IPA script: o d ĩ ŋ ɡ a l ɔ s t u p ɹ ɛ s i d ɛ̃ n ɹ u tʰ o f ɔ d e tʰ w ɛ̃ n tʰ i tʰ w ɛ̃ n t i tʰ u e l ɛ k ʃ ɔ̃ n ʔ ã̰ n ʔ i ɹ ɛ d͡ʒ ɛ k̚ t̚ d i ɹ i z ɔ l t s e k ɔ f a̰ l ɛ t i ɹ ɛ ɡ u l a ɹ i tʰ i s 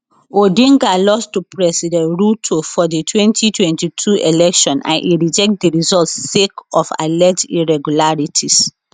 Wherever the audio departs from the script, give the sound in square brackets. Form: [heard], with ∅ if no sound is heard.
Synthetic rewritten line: o d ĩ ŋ ɡ a l ɔ s t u p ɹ ɛ s i d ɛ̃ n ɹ u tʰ o f ɔ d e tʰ w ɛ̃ n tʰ i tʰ w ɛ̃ n t i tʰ u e l ɛ k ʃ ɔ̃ n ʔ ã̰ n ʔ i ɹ [i] d͡ʒ ɛ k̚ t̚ d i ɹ i z ɔ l t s e k ɔ f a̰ l ɛ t i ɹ ɛ ɡ u l a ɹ i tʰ i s